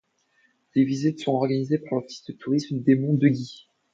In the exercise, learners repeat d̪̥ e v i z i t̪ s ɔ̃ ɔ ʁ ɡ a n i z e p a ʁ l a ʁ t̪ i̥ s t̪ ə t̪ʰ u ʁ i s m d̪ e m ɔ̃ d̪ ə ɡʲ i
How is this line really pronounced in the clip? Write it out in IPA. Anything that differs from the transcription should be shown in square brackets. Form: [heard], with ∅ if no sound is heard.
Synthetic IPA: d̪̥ e v i z i t̪ s ɔ̃ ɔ ʁ ɡ a n i z e p a ʁ l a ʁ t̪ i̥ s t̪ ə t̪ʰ u ʁ i s m d̪ e m ɔ̃ d̪ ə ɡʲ i